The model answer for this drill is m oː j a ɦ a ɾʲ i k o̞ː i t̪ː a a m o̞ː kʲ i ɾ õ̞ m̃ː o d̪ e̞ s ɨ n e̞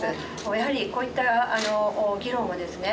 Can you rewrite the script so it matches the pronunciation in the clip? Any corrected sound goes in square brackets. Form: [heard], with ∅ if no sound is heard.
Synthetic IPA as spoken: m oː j a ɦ a ɾʲ i k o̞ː i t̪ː a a [n] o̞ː [ɡʲ] i ɾ õ̞ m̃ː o d̪ e̞ s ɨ n e̞